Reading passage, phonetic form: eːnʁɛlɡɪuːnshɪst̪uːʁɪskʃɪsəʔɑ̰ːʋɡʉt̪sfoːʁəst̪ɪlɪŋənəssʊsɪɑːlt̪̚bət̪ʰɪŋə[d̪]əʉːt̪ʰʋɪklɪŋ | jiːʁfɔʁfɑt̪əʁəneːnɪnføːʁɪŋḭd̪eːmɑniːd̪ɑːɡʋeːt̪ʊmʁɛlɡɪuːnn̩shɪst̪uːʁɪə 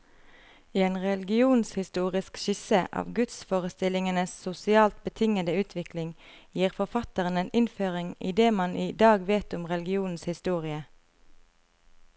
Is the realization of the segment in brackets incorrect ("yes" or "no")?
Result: no